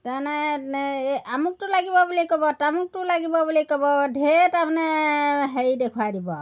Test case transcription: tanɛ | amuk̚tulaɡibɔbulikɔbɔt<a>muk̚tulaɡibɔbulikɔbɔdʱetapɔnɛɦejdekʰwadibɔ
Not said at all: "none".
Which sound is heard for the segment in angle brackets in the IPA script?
a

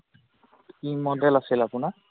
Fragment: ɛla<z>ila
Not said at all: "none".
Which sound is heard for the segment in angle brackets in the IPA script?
s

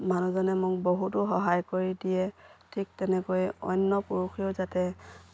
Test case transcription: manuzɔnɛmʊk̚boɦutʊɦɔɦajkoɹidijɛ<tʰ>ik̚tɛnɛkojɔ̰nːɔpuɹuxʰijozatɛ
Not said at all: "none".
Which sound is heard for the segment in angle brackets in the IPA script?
tʰ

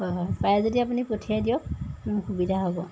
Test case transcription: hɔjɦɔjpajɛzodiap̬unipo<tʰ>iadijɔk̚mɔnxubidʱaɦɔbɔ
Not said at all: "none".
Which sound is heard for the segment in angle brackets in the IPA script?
tʰ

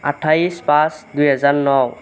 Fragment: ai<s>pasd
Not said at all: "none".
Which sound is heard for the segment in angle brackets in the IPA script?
s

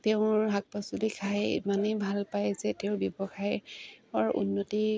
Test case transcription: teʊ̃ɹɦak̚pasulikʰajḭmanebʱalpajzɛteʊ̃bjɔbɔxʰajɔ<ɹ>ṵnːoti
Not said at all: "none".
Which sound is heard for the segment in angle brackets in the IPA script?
ɹ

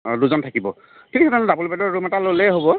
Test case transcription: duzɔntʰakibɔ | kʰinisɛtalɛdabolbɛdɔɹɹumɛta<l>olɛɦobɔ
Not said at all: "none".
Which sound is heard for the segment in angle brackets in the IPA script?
l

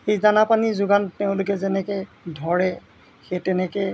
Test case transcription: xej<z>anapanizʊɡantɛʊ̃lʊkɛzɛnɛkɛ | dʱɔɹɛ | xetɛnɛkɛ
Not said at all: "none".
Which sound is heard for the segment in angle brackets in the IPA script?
z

